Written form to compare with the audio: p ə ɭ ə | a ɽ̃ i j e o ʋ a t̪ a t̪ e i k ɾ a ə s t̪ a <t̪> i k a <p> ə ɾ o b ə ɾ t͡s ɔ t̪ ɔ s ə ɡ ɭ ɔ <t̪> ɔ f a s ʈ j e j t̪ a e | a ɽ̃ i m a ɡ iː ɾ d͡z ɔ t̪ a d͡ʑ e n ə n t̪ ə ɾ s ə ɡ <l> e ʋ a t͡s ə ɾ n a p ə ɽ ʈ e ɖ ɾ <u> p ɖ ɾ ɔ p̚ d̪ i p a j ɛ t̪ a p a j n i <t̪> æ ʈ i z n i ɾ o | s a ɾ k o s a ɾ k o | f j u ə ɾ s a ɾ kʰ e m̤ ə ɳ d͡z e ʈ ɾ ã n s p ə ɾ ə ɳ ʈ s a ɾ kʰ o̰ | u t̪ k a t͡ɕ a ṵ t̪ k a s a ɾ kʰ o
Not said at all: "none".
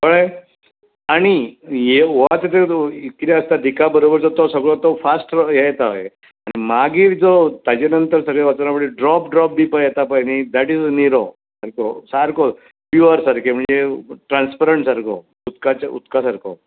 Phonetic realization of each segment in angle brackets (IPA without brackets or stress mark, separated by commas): d̪, b, t̪, ɭ, ɔ, d̪